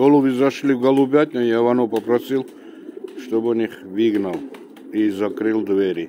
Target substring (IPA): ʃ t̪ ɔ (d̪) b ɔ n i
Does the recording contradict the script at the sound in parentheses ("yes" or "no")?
yes